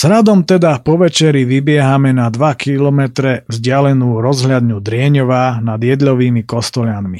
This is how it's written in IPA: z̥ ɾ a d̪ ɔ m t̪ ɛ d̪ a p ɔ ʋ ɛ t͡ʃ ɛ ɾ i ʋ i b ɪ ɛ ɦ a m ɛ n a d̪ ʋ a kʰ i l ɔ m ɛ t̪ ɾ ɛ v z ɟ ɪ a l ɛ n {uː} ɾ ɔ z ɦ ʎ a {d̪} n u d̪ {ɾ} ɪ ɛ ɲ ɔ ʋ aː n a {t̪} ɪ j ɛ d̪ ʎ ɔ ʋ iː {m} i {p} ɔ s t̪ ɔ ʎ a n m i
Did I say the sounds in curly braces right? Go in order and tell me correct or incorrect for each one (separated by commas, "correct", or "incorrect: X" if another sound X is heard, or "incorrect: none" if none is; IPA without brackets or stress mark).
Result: correct, correct, correct, incorrect: d̪, correct, incorrect: k